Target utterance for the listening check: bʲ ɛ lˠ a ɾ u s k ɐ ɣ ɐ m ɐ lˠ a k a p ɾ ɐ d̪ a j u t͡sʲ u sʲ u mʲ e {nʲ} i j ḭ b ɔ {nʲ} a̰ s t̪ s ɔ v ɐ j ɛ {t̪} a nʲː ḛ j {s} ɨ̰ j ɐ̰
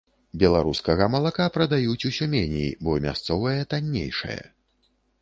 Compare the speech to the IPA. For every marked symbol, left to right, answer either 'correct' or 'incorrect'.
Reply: correct, incorrect: mʲ, correct, incorrect: ʂ

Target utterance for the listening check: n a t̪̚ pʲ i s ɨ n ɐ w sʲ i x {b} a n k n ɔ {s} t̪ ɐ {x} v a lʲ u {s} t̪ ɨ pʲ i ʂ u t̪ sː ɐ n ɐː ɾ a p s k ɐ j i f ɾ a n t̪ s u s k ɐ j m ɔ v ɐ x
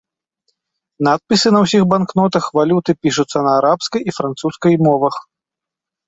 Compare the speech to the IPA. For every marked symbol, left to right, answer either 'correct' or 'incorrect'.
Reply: correct, incorrect: none, correct, incorrect: none

